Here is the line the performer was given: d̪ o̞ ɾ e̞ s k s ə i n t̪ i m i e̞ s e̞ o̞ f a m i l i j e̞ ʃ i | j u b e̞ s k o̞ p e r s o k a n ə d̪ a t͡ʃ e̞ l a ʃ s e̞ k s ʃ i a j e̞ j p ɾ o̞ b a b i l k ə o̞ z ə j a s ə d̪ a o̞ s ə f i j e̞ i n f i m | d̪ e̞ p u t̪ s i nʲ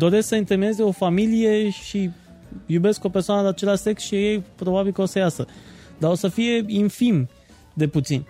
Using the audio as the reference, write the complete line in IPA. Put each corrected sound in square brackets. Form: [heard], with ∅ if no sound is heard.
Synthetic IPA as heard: d̪ o̞ ɾ e̞ s k s ə i n t̪ [e] m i e̞ [z] e̞ o̞ f a m i l i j e̞ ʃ i | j u b e̞ s k o̞ p e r s o [∅] a n ə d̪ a t͡ʃ e̞ l a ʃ s e̞ k s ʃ i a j e̞ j p ɾ o̞ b a b i l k ə o̞ [s] ə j a s ə d̪ a o̞ s ə f i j e̞ i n f i m | d̪ e̞ p u t̪ s i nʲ